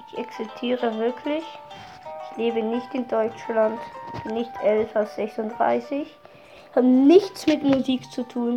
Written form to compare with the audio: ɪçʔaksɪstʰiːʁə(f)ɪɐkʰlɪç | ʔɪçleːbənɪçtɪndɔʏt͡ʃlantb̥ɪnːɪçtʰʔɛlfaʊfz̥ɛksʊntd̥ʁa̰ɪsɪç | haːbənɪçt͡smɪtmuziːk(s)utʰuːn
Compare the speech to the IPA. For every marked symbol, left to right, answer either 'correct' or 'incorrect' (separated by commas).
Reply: incorrect, incorrect